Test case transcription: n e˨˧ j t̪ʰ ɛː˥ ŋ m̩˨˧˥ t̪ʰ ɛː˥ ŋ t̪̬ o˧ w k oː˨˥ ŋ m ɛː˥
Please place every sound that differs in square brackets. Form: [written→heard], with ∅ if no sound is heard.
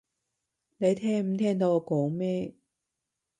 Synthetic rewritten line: n e˨˧ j t̪ʰ ɛː˥ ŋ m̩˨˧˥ t̪ʰ ɛː˥ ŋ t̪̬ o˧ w k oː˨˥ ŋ m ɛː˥